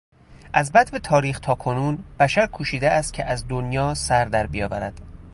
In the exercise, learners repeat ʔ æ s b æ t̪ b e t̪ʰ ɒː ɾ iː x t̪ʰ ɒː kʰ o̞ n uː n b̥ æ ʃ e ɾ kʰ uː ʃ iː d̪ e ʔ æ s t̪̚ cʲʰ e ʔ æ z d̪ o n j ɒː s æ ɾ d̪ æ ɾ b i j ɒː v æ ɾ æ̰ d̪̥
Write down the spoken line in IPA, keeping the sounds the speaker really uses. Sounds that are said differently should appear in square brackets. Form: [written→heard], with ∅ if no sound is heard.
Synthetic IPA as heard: ʔ æ [s→z] b æ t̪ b e t̪ʰ ɒː ɾ iː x t̪ʰ ɒː kʰ o̞ n uː n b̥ æ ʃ [e→æ] ɾ kʰ uː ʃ iː d̪ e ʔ æ s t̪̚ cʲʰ e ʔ æ z d̪ o n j ɒː s æ ɾ d̪ æ ɾ b i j ɒː v æ ɾ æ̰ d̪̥